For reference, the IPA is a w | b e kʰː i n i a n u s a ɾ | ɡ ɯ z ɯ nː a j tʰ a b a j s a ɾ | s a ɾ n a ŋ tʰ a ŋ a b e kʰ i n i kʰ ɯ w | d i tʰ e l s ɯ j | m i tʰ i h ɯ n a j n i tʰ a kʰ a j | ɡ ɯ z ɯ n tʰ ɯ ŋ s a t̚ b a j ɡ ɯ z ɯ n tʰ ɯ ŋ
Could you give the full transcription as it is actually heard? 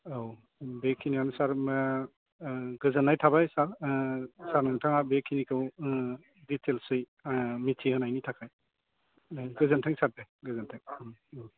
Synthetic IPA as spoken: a w | b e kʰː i n i a n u s a ɾ | ɡ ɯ z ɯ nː a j tʰ a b a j s a ɾ | s a ɾ n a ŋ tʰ a ŋ a b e kʰ i n i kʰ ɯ w | d i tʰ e l s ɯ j | m i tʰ i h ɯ n a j n i tʰ a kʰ a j | ɡ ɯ z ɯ n tʰ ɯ ŋ s a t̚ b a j ɡ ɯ z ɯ n tʰ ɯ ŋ

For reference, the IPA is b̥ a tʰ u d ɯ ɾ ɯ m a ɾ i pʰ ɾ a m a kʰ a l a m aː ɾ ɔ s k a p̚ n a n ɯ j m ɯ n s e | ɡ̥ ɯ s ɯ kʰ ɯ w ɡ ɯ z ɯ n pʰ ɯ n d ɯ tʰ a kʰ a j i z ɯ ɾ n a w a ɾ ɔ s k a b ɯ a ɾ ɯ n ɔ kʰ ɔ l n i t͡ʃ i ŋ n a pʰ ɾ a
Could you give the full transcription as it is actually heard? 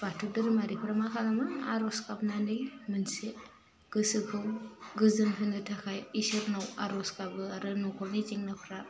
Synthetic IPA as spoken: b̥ a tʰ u d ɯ ɾ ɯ m a ɾ i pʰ ɾ a m a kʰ a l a m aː ɾ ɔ s k a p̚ n a n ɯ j m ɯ n s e | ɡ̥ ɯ s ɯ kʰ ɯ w ɡ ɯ z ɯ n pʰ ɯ n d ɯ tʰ a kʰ a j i s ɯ ɾ n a w a ɾ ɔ s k a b ɯ a ɾ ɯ n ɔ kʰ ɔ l n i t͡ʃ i ŋ n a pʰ ɾ a

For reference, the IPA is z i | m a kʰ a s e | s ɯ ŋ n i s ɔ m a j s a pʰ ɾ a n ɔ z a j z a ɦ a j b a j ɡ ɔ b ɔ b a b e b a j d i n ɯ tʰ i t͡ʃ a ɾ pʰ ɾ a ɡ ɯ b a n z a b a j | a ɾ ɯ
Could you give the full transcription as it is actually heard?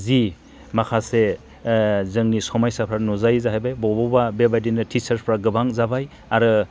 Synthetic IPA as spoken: z i | m a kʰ a s e | z ɯ ŋ n i s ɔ m a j s a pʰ ɾ a n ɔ z a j z a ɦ a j b a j b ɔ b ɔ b a b e b a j d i n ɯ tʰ i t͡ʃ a ɾ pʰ ɾ a ɡ ɯ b a ŋ z a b a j | a ɾ ɯ

